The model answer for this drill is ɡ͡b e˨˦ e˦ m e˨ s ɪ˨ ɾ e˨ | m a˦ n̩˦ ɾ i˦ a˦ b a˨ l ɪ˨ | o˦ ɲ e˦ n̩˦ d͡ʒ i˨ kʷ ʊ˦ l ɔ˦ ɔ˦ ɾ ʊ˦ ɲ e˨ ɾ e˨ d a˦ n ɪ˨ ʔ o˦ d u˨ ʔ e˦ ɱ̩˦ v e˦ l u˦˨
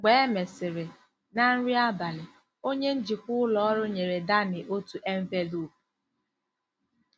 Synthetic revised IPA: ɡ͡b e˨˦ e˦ m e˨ s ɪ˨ ɾ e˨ | n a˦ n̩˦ ɾ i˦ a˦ b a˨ l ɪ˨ | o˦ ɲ e˦ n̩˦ d͡ʒ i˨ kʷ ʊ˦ l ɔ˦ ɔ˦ ɾ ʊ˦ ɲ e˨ ɾ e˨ d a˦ n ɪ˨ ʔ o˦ t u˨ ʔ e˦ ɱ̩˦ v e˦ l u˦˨

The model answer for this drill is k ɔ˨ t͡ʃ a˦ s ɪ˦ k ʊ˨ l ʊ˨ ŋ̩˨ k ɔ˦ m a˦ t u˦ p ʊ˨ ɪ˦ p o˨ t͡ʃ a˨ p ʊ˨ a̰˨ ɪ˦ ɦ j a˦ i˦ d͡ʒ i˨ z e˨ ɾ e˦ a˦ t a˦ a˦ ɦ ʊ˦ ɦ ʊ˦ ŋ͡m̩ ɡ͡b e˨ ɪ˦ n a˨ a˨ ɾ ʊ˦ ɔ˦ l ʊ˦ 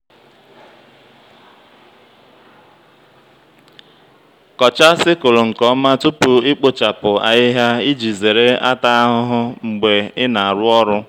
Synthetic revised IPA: k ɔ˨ t͡ʃ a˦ s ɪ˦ k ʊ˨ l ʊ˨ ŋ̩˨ k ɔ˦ m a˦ t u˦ p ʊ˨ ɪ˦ k͡p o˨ t͡ʃ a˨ p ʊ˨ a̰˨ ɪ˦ ɦ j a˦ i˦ d͡ʒ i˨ z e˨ ɾ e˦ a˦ t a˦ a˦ ɦ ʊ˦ ɦ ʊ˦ ŋ͡m̩ ɡ͡b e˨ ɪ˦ n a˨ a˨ ɾ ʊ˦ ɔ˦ ɾ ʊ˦

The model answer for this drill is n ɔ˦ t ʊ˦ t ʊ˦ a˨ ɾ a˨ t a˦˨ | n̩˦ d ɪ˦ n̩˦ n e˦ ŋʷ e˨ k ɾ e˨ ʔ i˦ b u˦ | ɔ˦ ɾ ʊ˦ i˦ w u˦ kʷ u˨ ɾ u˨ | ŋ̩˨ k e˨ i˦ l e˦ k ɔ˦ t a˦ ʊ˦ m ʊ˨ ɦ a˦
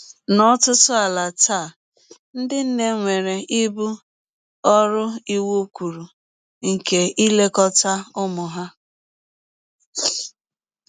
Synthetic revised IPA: n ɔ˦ t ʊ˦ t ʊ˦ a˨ l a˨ t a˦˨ | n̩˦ d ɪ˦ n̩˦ n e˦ ŋʷ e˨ ɾ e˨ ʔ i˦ b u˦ | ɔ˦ ɾ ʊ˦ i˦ w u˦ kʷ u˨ ɾ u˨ | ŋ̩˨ k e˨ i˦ l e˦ k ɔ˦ t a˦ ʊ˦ m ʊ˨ ɦ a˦

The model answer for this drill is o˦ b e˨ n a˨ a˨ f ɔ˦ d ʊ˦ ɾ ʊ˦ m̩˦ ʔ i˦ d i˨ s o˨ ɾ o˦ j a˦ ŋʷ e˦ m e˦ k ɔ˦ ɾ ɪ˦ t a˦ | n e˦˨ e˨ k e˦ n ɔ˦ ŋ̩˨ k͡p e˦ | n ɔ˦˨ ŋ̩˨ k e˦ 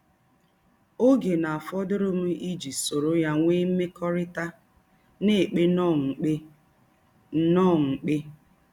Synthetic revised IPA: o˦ ɡ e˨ n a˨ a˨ f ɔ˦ d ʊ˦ ɾ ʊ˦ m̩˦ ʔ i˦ d͡ʒ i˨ s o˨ ɾ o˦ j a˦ ŋʷ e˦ m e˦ k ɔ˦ ɾ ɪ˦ t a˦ | n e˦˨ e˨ k͡p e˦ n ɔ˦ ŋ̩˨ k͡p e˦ | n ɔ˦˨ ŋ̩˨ k͡p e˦

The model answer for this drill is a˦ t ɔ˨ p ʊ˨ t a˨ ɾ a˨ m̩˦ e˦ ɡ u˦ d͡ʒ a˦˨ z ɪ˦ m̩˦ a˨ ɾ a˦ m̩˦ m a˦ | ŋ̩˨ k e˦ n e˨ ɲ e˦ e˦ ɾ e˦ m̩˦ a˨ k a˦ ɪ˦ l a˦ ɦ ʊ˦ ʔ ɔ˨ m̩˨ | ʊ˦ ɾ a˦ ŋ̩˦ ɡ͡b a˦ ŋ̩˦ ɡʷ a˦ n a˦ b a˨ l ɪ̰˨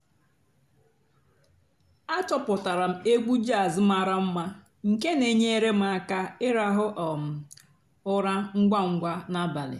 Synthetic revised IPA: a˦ t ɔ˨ p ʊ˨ t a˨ ɾ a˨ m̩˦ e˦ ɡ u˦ d͡ʒ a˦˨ z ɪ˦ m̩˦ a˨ ɾ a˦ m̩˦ m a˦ | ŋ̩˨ k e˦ n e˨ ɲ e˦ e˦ ɾ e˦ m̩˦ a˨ k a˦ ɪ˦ ɾ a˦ ɦ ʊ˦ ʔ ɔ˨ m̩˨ | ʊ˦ ɾ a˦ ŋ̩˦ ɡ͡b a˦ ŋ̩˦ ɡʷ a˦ n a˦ b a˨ l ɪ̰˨

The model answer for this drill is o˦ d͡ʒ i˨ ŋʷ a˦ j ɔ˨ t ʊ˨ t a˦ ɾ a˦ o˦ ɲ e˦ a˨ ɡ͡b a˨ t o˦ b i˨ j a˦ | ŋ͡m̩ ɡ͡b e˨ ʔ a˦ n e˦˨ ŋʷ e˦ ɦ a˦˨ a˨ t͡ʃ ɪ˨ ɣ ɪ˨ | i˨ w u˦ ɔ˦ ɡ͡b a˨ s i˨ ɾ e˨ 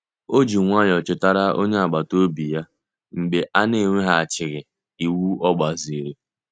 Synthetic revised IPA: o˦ d͡ʒ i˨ ŋʷ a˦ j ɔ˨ t͡ʃ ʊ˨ t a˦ ɾ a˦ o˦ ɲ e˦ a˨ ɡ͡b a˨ t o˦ b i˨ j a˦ | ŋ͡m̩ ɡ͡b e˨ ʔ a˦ n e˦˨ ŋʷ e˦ ɦ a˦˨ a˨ t͡ʃ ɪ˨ ɣ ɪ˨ | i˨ w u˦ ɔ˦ ɡ͡b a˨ z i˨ ɾ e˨

